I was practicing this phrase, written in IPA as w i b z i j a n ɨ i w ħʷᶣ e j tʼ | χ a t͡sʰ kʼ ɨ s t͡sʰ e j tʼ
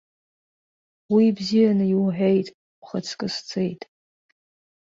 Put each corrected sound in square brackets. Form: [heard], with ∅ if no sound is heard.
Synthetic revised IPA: w i b z i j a n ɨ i w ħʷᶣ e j tʼ | χ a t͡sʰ kʼ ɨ s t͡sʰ e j tʼ